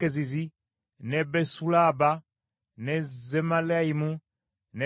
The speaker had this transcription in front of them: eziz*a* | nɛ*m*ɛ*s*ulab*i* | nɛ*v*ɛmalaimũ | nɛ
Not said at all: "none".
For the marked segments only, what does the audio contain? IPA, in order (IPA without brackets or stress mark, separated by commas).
i, b, s, a, z